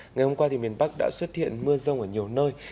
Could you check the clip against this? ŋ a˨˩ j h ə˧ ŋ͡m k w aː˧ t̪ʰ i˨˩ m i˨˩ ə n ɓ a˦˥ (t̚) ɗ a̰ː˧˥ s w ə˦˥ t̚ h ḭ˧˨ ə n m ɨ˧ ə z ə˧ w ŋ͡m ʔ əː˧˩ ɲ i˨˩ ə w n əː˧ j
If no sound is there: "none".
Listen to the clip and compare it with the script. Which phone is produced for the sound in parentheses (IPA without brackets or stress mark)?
k̚